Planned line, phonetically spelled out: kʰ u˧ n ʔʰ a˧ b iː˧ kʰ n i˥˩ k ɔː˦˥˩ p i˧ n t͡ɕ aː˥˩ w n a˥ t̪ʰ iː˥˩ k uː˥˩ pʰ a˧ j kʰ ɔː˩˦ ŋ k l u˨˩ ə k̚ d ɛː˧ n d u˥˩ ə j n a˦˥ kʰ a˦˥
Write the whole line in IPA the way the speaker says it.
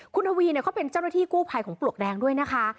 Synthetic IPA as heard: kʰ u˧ n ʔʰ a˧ w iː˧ n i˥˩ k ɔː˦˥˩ p e˧ n t͡ɕ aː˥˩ w n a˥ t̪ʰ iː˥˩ k uː˥˩ pʰ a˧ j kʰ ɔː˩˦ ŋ p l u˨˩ ə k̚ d ɛː˧ ŋ d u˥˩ ə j n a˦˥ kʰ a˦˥